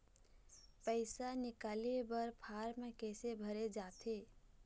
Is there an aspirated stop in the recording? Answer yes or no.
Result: yes